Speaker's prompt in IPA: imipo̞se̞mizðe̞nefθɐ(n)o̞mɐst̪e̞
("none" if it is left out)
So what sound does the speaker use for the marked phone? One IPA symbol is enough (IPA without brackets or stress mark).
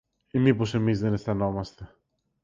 n